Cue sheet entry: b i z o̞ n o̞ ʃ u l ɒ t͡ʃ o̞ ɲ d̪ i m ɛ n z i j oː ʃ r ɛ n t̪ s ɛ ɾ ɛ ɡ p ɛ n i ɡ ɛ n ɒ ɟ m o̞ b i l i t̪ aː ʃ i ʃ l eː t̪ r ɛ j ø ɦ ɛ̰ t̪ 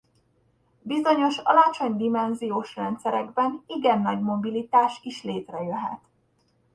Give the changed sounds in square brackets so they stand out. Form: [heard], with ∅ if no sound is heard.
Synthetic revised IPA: b i z o̞ [ɲ] o̞ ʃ [ɒ] l ɒ t͡ʃ o̞ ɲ d̪ i m ɛ n z i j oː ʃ r ɛ n t̪ s ɛ ɾ ɛ ɡ [b] ɛ n i ɡ ɛ [nː] ɒ ɟ m o̞ b i l i t̪ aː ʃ i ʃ l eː t̪ r ɛ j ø ɦ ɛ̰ t̪